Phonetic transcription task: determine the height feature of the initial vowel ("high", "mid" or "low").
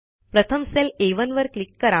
mid